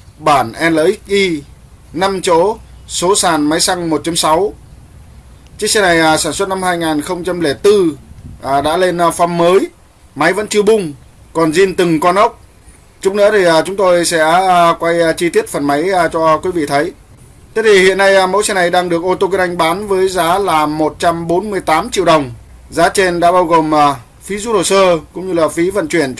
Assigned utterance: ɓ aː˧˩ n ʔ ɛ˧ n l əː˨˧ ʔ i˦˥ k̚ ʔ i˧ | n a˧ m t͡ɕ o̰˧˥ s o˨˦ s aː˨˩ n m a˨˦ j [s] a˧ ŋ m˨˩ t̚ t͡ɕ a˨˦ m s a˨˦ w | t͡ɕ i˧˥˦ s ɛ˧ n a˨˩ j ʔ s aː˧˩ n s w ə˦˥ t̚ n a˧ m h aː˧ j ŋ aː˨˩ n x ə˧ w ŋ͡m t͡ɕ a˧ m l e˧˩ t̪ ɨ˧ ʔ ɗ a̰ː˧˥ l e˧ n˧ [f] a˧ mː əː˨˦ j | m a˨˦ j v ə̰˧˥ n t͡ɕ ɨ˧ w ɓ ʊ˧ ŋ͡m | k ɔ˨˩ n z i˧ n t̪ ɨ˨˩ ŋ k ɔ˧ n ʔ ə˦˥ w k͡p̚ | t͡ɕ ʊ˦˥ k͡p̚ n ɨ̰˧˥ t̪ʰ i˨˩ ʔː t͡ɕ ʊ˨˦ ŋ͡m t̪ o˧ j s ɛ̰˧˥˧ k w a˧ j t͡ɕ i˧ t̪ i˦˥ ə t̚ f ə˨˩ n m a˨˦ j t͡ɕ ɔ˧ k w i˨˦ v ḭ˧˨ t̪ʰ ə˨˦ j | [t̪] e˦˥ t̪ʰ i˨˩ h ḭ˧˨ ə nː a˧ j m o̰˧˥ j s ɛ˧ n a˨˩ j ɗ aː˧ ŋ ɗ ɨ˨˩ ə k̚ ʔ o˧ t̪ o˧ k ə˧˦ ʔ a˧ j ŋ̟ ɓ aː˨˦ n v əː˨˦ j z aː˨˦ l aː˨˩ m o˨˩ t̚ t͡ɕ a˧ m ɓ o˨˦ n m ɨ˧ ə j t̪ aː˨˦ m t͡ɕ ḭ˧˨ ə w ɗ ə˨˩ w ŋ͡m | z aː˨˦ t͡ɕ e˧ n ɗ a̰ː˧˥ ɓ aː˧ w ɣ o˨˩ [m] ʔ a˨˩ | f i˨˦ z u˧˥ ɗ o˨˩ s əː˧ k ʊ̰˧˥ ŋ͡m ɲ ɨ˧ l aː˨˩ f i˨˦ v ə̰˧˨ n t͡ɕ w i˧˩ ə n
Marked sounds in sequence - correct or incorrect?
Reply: correct, correct, correct, correct

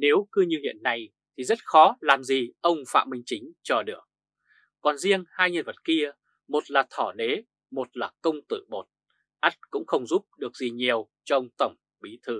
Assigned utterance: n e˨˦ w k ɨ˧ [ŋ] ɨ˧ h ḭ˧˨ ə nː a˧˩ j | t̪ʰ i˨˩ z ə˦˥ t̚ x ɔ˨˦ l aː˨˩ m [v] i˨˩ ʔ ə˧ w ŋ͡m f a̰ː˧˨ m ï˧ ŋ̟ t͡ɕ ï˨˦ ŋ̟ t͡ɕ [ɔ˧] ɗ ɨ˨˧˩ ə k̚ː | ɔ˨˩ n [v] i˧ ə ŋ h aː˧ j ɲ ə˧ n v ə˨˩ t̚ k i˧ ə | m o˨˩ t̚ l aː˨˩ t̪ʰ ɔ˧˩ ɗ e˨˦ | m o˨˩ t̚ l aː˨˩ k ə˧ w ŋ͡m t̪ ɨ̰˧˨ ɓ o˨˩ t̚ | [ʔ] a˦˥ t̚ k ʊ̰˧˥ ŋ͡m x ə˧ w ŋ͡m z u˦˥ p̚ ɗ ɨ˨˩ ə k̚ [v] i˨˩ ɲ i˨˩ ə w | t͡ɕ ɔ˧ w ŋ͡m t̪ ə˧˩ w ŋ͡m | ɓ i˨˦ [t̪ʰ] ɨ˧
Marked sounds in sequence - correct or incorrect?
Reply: incorrect: ɲ, incorrect: z, correct, incorrect: z, correct, incorrect: z, correct

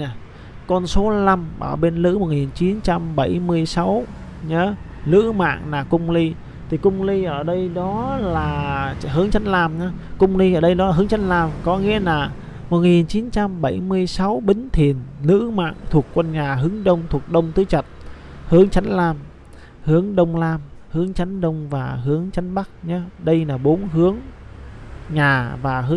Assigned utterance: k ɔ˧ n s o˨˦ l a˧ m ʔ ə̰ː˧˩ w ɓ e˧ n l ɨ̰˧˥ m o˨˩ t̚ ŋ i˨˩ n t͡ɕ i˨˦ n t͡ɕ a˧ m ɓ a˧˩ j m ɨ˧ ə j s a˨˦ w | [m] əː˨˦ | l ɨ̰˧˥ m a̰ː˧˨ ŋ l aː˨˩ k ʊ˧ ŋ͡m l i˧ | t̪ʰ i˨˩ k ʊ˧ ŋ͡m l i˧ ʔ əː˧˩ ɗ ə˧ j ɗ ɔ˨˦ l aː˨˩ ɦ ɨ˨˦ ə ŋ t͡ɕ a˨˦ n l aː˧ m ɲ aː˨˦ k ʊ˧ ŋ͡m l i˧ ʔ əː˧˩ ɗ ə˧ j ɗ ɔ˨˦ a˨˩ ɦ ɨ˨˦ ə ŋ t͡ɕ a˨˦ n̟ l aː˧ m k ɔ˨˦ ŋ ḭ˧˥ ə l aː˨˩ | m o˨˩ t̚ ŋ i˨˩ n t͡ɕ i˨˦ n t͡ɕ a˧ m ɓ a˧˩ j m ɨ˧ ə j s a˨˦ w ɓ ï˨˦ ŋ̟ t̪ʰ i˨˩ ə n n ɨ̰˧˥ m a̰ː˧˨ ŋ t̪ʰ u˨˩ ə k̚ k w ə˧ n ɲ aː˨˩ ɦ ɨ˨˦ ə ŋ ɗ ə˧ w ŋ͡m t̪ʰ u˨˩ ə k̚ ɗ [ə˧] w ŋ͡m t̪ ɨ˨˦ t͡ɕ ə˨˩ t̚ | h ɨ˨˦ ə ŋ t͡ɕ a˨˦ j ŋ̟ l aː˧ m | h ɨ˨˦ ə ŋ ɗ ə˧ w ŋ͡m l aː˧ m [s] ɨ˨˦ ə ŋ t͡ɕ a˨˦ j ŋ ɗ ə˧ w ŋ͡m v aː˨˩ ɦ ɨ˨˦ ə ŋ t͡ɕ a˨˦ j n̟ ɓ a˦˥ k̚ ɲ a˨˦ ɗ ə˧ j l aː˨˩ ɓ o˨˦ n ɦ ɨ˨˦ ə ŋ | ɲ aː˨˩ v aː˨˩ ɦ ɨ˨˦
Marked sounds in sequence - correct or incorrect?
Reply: incorrect: ɲ, correct, incorrect: h

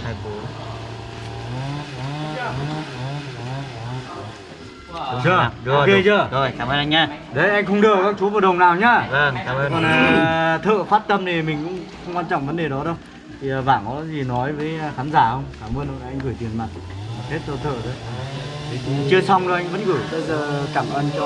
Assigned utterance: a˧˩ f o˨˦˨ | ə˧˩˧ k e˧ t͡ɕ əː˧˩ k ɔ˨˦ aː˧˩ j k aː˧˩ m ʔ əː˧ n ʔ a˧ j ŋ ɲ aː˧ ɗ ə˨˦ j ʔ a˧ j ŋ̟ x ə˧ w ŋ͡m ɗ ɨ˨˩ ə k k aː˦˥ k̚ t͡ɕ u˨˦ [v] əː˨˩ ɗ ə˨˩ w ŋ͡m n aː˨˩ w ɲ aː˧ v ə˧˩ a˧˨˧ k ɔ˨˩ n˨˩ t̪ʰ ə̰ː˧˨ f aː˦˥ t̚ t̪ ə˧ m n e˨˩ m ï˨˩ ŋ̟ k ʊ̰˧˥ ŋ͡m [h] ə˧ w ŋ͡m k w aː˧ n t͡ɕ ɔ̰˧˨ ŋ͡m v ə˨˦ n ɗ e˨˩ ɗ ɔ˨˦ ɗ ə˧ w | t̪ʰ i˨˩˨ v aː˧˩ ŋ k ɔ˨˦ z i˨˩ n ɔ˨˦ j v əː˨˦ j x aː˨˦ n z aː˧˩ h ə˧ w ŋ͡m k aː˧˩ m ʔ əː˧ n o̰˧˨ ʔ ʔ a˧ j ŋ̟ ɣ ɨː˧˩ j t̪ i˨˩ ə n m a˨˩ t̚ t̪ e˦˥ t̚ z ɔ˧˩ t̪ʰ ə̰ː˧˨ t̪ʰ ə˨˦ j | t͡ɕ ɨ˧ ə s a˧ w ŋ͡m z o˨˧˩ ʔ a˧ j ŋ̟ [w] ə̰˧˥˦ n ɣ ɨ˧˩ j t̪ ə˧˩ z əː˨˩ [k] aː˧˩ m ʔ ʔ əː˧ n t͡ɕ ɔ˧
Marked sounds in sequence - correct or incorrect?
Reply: correct, incorrect: x, incorrect: v, correct

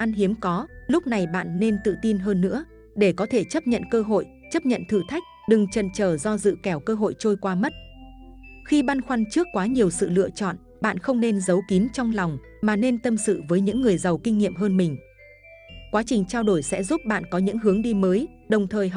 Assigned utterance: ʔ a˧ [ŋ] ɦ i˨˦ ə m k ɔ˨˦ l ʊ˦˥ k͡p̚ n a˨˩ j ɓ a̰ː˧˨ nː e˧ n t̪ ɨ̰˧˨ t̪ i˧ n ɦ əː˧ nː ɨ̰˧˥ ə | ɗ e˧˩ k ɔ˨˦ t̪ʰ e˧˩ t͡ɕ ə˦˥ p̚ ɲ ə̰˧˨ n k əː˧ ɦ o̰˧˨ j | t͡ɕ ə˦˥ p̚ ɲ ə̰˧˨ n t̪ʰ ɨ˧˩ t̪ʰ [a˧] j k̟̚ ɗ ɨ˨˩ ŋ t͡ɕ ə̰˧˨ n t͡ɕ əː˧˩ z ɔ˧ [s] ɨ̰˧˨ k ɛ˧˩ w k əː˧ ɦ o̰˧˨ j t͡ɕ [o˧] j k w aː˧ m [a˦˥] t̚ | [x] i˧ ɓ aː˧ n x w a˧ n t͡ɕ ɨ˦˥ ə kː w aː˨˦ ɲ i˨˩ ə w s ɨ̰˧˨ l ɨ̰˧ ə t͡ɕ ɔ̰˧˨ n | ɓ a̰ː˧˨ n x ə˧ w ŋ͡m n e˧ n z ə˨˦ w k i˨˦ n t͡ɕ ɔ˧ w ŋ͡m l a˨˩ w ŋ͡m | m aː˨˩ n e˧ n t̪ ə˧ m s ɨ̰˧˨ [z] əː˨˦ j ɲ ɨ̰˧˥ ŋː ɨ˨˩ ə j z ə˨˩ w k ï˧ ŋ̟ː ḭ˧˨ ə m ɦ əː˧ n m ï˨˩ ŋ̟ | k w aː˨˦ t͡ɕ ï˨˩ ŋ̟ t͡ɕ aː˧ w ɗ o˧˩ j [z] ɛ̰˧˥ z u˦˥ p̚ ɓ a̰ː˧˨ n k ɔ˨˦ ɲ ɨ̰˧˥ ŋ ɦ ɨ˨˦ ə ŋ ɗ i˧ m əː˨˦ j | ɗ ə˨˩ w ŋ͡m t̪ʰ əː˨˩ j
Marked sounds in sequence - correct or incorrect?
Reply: incorrect: n, incorrect: a˦˥, incorrect: z, correct, incorrect: ə˦˥, correct, incorrect: v, incorrect: s

